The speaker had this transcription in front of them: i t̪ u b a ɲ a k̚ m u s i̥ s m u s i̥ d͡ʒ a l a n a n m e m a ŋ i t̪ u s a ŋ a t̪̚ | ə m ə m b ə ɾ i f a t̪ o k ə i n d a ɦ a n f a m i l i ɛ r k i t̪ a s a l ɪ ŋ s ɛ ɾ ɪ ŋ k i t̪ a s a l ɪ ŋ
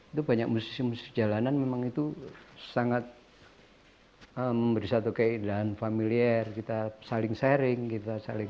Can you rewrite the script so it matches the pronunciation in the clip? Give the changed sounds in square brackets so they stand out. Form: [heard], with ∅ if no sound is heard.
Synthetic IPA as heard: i t̪ u b a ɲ a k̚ m u s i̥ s m u s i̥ d͡ʒ a l a n a n m e m a ŋ i t̪ u s a ŋ a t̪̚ | ə m ə m b ə ɾ i [s] a t̪ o k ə i n d a ɦ a n f a m i l i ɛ r k i t̪ a s a l ɪ ŋ s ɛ ɾ ɪ ŋ k i t̪ a s a l ɪ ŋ